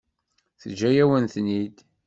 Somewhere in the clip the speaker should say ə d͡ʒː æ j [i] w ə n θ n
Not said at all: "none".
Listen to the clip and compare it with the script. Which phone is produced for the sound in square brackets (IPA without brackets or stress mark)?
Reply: æ